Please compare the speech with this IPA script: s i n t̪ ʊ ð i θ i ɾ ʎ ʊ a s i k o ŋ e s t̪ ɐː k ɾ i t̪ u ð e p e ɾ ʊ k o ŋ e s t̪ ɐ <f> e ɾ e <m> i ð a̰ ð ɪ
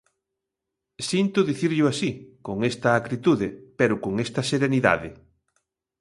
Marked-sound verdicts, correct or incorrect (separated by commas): incorrect, incorrect